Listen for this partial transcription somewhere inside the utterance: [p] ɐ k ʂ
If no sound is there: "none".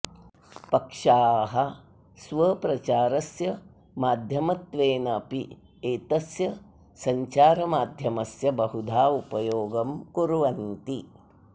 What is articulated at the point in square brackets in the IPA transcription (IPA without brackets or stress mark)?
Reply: p